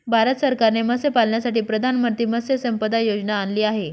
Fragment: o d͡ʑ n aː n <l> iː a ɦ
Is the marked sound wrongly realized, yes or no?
no